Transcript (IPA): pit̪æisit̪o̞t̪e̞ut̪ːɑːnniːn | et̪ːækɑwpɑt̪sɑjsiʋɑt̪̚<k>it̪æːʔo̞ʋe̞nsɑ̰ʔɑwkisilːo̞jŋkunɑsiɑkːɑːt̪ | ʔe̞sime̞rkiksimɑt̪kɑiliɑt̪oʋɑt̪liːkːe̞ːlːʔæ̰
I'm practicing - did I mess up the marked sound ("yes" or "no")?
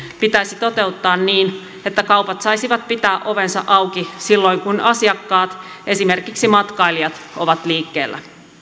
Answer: yes